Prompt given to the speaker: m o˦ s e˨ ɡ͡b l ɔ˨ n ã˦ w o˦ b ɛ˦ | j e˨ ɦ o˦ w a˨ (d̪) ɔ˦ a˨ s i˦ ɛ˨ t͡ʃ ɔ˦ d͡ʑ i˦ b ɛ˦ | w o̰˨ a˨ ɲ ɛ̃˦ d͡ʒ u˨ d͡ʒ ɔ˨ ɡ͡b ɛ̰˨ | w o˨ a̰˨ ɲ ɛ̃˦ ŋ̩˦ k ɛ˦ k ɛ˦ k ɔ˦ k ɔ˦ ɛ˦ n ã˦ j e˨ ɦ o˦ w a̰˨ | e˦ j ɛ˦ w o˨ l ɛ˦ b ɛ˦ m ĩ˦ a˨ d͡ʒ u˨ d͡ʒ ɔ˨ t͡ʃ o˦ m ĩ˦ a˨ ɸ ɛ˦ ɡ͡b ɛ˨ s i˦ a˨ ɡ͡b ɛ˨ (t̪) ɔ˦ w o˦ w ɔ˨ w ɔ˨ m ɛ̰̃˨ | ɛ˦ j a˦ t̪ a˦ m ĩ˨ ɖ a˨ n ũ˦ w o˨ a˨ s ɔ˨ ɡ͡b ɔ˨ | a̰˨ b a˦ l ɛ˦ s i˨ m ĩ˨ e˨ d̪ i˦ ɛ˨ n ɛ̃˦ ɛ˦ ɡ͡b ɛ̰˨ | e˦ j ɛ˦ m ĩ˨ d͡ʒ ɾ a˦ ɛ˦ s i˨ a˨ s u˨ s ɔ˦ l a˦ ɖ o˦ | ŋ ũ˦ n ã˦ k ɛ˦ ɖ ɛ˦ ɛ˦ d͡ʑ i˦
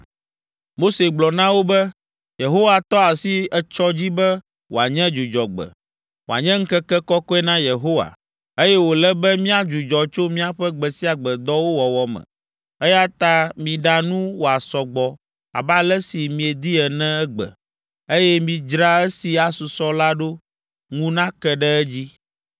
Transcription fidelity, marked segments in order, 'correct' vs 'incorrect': incorrect: t̪, incorrect: d̪

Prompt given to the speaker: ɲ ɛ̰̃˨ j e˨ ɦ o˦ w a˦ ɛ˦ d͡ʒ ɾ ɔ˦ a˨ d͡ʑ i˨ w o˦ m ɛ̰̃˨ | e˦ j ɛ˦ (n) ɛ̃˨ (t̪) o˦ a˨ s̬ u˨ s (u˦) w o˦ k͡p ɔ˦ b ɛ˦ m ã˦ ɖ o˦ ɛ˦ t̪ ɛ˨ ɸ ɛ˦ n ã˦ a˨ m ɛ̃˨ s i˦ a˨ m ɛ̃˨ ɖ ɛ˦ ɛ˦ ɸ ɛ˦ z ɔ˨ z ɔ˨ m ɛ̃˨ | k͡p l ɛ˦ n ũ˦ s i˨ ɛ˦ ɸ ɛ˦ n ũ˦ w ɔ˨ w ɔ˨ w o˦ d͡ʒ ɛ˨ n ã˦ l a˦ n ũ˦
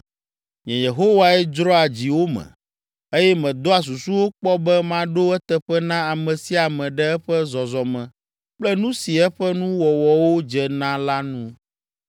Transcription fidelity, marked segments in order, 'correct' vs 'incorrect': incorrect: m, incorrect: d̪, correct

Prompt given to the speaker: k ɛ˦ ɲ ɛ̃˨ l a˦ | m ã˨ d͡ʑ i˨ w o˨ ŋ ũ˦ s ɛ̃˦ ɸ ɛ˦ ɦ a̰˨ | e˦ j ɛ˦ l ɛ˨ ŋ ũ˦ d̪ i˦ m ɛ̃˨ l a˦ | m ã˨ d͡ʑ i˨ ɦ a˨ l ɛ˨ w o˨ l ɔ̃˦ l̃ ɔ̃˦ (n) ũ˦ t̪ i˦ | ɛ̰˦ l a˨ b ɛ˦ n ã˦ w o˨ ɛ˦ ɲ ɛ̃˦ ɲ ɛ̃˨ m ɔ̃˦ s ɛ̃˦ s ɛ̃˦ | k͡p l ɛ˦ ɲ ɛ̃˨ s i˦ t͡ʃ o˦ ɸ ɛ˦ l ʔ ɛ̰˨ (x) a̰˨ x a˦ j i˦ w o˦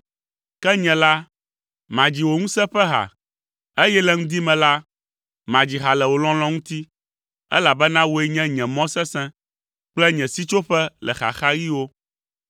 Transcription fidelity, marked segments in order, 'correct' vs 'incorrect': incorrect: ŋ, correct

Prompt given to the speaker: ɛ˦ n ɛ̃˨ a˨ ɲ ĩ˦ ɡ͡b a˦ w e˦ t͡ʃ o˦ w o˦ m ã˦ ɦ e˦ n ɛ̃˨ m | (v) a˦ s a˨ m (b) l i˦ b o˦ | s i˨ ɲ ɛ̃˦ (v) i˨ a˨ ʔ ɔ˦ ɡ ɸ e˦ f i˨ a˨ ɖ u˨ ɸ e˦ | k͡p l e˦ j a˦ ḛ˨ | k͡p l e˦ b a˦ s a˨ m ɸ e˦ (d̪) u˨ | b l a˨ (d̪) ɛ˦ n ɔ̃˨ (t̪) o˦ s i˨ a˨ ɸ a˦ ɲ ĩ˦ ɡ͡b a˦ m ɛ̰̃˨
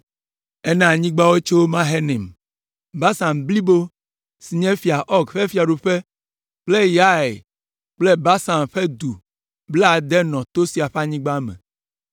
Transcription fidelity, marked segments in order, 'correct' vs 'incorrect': incorrect: b, correct, incorrect: f, correct, correct, correct

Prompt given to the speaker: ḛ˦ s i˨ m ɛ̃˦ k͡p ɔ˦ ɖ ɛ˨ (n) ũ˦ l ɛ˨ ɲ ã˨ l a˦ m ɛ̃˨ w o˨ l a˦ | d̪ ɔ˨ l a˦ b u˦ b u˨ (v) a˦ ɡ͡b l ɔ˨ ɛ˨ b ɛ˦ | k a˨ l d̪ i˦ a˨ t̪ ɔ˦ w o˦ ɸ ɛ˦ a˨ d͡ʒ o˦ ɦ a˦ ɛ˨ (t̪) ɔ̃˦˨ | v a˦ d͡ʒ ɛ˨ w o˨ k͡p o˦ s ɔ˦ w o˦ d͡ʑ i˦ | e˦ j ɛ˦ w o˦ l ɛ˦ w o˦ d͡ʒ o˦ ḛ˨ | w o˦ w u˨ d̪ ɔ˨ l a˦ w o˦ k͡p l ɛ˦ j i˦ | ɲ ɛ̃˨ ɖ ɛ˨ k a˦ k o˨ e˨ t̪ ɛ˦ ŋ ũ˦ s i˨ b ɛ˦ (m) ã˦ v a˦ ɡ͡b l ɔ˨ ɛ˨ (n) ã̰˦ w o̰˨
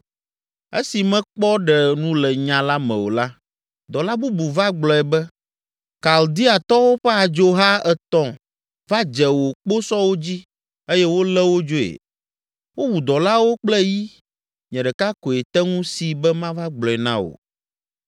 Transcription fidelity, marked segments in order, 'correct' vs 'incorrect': correct, correct, correct, correct, correct

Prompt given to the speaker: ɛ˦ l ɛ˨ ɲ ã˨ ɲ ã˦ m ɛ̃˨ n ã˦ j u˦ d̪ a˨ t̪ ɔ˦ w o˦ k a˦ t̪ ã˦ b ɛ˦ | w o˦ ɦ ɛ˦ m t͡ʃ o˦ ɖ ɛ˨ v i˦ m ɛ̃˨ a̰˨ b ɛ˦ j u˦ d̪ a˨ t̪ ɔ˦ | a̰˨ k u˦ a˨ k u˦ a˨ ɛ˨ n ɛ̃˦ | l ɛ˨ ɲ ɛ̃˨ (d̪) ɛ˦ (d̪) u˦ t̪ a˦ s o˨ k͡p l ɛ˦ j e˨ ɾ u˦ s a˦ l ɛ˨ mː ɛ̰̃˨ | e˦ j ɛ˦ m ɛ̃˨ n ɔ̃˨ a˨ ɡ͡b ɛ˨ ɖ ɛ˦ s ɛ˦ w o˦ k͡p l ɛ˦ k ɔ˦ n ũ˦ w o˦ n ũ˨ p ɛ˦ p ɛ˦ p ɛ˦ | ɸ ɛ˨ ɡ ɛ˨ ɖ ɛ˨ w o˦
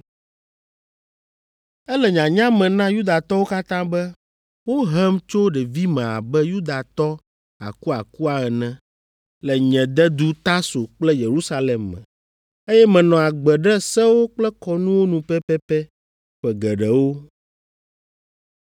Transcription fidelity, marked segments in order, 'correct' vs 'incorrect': correct, correct

